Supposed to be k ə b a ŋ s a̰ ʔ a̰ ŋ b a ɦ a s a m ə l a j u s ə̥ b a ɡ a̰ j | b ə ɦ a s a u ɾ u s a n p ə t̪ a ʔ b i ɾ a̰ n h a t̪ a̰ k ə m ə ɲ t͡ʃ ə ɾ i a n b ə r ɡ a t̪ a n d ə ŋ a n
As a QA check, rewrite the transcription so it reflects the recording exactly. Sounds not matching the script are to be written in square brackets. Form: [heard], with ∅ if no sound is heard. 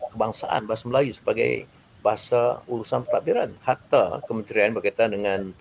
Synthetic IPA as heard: k ə b a ŋ s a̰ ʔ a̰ [n] b a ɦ a s a m ə l a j u s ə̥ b a ɡ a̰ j | b [a] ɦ a s a u ɾ u s a n p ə t̪ a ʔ b i ɾ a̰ n h a t̪ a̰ k ə m ə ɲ t͡ʃ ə ɾ i a n b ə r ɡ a t̪ a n d ə ŋ a n